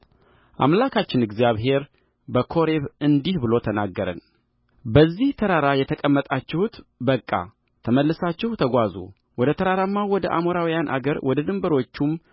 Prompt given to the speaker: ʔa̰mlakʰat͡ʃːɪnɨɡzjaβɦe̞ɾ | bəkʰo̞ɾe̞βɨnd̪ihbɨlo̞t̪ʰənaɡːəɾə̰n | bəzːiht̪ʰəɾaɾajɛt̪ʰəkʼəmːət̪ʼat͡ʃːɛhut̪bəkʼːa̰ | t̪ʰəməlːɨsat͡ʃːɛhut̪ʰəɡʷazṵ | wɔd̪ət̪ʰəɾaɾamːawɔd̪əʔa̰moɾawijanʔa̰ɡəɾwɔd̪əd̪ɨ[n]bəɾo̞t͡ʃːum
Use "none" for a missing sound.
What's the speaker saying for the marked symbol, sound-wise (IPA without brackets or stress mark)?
m